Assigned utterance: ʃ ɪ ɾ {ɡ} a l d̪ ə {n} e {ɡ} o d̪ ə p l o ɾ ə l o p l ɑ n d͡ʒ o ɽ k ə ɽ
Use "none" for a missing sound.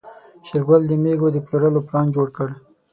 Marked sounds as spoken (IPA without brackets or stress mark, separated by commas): ɡ, m, ɡ